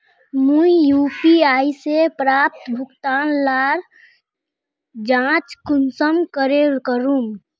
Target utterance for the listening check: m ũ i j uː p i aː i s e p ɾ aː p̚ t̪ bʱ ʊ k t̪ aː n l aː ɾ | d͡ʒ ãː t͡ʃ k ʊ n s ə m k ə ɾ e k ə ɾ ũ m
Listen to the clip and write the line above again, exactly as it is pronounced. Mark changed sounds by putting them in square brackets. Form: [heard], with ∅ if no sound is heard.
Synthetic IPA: m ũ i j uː p i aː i s e p ɾ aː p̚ t̪ bʱ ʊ k t̪ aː n l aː ɾ | d͡ʒ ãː t͡ʃ k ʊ n s ə m k ə ɾ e k ə ɾ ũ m